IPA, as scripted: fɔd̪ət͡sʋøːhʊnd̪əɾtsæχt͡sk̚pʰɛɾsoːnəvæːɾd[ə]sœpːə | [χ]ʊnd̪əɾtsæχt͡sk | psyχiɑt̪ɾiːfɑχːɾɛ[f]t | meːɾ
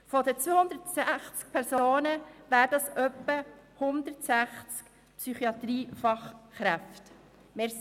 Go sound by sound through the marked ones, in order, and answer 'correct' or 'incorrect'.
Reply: incorrect: ɑ, incorrect: h, correct

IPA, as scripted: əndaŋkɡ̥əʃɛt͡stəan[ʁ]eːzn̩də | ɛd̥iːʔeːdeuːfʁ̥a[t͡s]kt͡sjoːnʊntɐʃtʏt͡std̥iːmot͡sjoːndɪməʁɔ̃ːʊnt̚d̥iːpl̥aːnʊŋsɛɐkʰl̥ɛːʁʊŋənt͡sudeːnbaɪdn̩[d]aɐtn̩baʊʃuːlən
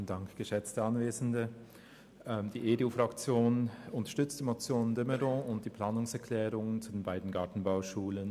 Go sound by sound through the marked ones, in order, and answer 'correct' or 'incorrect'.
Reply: incorrect: v, incorrect: none, incorrect: ɡ

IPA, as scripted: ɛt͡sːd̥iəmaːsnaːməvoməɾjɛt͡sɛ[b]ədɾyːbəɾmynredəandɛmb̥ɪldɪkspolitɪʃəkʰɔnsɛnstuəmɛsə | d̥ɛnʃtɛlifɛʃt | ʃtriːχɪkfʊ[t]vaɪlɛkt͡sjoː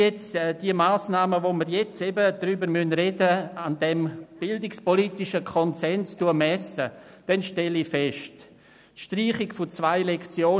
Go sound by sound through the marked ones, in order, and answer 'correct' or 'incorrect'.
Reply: correct, incorrect: t͡s

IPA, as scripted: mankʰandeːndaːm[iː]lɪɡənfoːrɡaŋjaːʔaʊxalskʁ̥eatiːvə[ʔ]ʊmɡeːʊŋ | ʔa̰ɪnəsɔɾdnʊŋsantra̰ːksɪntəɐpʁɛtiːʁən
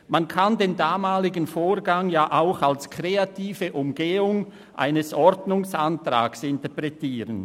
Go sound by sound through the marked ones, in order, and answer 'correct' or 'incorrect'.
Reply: incorrect: aː, correct

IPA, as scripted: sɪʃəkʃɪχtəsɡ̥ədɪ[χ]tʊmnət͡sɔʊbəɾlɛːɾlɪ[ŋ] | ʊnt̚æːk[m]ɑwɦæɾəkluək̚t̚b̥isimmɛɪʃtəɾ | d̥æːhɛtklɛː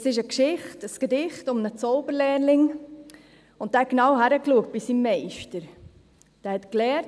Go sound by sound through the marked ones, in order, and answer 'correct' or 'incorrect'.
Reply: correct, correct, incorrect: n

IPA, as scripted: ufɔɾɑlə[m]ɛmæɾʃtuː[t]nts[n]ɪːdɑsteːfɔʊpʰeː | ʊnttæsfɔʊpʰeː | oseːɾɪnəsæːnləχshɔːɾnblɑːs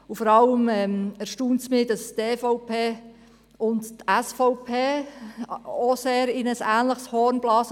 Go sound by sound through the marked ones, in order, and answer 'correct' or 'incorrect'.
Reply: correct, incorrect: none, incorrect: m

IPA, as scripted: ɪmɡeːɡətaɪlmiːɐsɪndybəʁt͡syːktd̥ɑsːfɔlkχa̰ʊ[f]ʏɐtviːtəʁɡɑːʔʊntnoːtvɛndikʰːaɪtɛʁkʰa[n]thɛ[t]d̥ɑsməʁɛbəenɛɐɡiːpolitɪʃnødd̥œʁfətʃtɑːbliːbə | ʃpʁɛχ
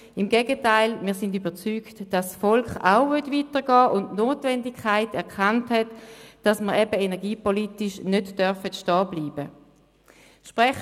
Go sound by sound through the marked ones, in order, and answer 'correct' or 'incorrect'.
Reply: incorrect: v, correct, correct

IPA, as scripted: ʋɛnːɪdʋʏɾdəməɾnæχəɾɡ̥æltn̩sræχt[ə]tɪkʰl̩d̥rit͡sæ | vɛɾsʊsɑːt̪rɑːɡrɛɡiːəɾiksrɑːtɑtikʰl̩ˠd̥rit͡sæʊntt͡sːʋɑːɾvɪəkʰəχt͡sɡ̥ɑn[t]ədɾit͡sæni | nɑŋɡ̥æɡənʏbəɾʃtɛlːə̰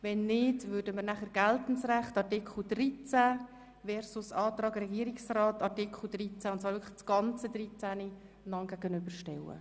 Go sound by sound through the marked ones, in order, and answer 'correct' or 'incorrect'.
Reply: incorrect: ɑ, incorrect: t͡s

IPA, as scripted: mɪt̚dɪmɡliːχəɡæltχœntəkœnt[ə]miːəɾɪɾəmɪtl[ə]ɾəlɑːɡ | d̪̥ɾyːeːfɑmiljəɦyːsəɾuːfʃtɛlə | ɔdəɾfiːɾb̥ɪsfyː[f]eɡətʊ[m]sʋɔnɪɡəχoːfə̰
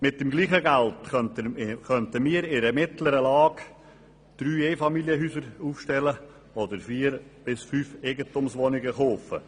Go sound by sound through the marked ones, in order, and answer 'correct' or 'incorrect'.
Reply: correct, correct, correct, correct

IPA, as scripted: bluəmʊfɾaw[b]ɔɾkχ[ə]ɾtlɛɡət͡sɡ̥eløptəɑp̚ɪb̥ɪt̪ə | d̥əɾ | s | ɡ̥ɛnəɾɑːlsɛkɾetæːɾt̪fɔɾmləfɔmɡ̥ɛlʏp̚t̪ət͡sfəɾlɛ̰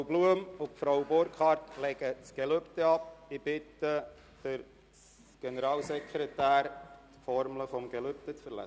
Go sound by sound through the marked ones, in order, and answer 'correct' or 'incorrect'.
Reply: correct, incorrect: ɑ

